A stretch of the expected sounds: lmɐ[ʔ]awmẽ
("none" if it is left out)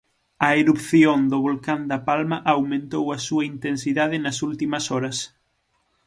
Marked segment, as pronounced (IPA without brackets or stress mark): ʔ